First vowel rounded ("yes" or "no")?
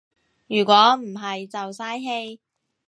yes